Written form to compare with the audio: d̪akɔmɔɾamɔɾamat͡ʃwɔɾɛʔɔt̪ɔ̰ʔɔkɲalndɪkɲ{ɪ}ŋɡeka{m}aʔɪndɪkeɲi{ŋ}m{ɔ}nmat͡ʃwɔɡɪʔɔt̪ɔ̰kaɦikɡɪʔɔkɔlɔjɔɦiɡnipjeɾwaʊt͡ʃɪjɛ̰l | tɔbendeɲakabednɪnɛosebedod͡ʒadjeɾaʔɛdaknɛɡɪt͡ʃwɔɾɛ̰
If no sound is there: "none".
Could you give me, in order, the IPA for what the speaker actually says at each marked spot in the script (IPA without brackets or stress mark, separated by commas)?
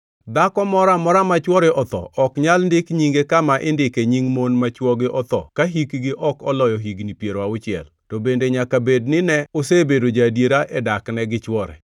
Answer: i, m, ŋ, o